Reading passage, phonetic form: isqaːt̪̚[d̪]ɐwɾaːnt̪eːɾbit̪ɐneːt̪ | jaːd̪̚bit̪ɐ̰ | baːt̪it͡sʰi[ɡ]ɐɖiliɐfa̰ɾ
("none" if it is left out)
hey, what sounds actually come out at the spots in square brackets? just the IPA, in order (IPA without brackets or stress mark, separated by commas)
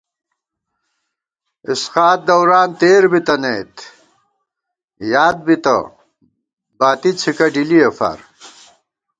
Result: d̪, k